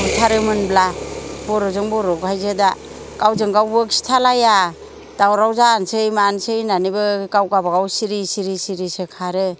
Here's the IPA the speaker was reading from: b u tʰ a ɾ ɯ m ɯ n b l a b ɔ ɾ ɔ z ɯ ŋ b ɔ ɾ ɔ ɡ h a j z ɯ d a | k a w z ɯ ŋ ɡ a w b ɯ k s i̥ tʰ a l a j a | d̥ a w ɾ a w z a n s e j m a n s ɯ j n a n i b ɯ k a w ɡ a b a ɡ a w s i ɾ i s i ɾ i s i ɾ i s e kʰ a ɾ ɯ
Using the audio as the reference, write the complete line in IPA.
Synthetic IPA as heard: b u tʰ a ɾ ɯ m ɯ n b l a b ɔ ɾ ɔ z ɯ ŋ b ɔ ɾ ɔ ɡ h a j z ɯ d a | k a w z ɯ ŋ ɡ a w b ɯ k s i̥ tʰ a l a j a | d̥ a w ɾ a w z a n s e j m a n s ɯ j n a n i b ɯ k a w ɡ a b a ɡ a w s i ɾ i s i ɾ i s i ɾ i s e kʰ a ɾ ɯ